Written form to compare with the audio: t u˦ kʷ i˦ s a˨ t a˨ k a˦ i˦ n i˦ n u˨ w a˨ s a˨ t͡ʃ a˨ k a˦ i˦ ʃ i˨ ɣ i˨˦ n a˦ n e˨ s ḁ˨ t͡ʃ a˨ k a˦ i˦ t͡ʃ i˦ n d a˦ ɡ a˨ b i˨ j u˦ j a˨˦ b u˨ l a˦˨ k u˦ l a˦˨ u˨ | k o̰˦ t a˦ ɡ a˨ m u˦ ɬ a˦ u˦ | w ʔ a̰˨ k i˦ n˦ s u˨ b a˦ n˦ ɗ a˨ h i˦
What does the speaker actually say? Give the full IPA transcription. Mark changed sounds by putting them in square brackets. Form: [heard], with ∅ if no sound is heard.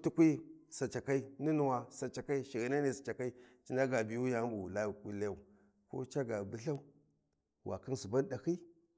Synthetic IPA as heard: t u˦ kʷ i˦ s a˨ [t͡ʃ] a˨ k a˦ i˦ n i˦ n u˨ w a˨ s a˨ t͡ʃ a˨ k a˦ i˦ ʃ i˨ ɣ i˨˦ n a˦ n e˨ s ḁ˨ t͡ʃ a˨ k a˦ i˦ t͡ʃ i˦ n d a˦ ɡ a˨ b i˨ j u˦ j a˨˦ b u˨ l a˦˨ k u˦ l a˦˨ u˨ | k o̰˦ [t͡ʃ] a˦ ɡ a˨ [b] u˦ ɬ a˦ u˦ | w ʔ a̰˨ k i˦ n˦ s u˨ b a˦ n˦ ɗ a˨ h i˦